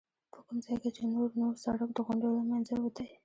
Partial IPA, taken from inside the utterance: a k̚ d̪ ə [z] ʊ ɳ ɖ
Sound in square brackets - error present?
yes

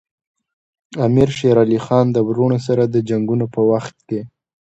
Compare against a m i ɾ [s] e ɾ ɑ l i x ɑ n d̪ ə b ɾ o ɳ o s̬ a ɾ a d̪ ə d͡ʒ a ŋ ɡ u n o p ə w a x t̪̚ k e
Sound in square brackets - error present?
yes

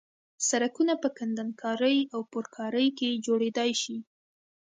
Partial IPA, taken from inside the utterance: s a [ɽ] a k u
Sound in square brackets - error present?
yes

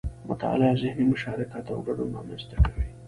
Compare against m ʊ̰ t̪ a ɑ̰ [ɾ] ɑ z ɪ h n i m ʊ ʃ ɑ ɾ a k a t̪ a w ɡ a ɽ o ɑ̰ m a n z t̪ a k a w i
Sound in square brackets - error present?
yes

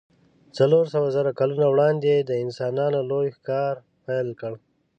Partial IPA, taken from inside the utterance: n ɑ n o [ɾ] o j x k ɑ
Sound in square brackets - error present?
yes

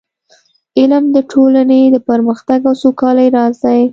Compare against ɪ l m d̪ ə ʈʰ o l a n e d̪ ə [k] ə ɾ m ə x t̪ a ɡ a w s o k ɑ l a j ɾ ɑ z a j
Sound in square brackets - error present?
yes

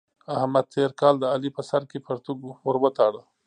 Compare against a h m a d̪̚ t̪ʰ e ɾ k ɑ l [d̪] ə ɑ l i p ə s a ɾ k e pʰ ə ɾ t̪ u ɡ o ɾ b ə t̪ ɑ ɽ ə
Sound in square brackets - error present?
no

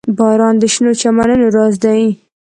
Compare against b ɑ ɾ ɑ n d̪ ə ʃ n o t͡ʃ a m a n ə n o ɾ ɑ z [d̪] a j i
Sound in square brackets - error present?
no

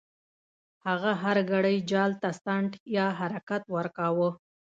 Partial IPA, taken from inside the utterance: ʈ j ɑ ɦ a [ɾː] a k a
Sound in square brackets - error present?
yes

